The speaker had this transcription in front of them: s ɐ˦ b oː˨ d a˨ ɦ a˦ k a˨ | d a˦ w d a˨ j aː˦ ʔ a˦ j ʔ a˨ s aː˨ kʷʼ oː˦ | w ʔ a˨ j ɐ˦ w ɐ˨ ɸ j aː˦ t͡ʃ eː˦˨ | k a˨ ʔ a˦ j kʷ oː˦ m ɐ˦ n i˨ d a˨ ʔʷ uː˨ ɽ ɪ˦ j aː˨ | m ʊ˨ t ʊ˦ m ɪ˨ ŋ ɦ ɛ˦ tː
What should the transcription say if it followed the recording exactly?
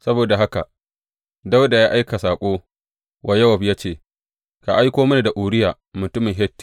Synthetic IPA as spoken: s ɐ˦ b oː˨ d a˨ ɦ a˦ k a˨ | d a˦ w d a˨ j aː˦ ʔ a˦ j k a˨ s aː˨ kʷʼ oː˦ | w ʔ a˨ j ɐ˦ w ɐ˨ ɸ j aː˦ t͡ʃ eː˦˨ | k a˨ ʔ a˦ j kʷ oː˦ m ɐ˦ n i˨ d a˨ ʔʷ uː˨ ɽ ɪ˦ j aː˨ | m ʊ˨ t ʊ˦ m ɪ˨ ŋ ɦ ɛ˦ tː